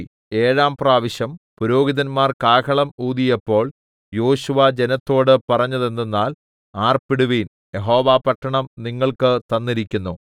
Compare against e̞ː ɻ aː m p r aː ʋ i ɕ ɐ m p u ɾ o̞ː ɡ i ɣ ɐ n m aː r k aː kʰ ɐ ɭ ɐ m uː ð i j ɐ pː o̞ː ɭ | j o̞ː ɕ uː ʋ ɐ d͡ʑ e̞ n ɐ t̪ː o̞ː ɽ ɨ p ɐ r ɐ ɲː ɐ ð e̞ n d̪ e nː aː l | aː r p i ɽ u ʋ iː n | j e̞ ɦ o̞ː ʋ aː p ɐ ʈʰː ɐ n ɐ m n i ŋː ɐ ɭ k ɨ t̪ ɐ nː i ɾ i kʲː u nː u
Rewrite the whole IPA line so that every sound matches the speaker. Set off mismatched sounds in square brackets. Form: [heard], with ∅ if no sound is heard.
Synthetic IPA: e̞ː ɻ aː m p r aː ʋ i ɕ ɐ m p u ɾ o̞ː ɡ i [ð] ɐ n m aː r k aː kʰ ɐ ɭ ɐ m uː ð i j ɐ pː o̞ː ɭ | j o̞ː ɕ [u] ʋ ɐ d͡ʑ e̞ n ɐ t̪ː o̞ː ɽ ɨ p ɐ r ɐ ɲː ɐ ð e̞ n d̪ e nː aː l | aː r p i ɽ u ʋ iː n | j e̞ ɦ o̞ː ʋ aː p ɐ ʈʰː ɐ [ɳ] ɐ m n i ŋː ɐ ɭ k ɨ t̪ ɐ nː i ɾ i kʲː u nː u